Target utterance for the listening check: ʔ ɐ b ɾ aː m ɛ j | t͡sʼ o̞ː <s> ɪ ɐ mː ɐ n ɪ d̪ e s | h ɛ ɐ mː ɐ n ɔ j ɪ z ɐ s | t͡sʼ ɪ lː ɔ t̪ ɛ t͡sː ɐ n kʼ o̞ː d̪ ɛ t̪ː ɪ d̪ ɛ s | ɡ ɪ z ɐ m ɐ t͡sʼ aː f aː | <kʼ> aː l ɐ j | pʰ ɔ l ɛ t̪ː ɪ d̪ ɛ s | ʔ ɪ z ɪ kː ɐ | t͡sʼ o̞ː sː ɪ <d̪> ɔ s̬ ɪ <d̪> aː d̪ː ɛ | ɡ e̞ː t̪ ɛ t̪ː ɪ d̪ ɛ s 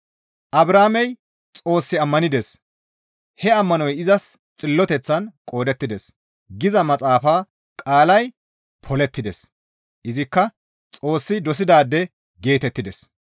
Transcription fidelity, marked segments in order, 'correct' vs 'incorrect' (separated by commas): incorrect, correct, correct, correct